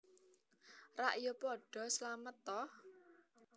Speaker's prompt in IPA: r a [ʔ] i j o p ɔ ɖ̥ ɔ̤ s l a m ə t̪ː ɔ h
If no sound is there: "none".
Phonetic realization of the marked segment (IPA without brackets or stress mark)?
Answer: ʔ